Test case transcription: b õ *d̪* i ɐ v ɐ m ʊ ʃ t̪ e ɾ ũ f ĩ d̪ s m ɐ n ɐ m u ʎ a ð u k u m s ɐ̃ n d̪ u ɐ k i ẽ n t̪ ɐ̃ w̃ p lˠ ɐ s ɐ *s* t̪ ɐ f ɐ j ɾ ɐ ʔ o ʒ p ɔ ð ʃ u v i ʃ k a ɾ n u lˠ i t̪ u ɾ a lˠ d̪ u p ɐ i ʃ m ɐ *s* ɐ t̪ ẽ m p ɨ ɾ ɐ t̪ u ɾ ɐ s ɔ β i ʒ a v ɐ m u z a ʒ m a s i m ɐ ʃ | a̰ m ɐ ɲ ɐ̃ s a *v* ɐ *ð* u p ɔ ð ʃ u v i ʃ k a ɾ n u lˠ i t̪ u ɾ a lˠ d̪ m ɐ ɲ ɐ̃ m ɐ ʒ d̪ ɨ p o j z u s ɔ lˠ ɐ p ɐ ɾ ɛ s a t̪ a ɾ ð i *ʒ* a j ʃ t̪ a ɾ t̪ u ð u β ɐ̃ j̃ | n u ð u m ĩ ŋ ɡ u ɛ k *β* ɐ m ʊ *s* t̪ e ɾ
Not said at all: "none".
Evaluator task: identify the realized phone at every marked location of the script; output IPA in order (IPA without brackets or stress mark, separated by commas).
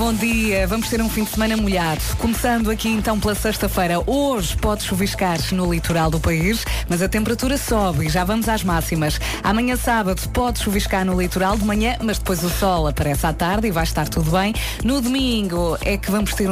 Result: d̪, ʃ, z, β, ð, v, v, ʃ